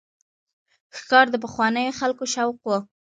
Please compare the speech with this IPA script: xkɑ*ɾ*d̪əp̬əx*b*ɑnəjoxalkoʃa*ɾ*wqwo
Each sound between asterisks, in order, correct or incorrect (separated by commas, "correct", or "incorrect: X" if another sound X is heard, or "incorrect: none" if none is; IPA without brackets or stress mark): correct, incorrect: w, incorrect: none